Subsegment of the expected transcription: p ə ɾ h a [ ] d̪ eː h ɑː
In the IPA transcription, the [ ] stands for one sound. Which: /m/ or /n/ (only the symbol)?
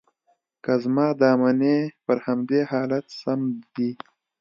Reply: m